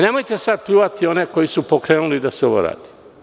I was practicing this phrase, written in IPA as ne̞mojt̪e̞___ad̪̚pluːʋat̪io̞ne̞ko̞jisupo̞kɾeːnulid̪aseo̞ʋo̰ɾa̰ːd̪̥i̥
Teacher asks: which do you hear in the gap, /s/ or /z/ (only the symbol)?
s